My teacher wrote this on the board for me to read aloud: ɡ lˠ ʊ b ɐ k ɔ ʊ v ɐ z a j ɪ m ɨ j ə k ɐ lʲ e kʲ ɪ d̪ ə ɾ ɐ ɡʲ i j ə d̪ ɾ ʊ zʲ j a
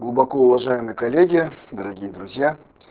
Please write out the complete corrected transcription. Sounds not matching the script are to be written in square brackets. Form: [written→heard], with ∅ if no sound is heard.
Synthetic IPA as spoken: ɡ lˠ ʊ b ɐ k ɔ ʊ v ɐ [z→ʐ] a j ɪ m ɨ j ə k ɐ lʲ e [kʲ→ɡʲ] ɪ d̪ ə ɾ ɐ ɡʲ i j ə d̪ ɾ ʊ zʲ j a